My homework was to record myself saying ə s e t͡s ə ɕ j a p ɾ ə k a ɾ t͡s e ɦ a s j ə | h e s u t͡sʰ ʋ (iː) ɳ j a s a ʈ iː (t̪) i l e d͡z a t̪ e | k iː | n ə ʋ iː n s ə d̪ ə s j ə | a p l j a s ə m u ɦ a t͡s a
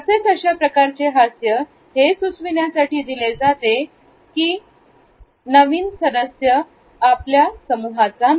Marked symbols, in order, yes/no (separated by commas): no, no